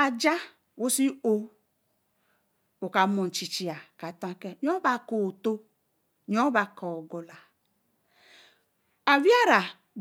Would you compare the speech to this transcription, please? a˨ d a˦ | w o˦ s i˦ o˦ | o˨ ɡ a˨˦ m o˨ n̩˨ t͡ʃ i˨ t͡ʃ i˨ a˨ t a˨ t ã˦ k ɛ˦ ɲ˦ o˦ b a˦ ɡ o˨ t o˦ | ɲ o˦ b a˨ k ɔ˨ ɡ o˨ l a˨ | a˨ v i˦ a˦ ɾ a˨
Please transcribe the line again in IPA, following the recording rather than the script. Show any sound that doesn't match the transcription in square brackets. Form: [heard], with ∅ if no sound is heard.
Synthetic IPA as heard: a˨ [d͡ʒ] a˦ | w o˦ s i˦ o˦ | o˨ [k] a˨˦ m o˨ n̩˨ t͡ʃ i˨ t͡ʃ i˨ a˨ [k] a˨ t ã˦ k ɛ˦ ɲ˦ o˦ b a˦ [k] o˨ t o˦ | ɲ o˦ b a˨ k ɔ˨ ɡ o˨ l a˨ | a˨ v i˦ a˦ ɾ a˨